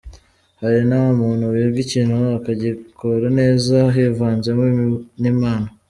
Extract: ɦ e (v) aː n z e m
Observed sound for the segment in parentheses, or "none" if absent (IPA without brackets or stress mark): v